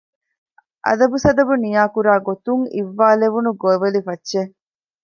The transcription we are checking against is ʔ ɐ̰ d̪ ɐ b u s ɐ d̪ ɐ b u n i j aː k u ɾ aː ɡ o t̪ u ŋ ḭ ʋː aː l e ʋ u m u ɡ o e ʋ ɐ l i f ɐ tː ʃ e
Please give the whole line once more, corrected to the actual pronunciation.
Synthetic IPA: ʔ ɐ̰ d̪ ɐ b u s ɐ d̪ ɐ b u n i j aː k u ɾ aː ɡ o t̪ u ŋ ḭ ʋː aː l e ʋ u n u ɡ o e ʋ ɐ l i f ɐ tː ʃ e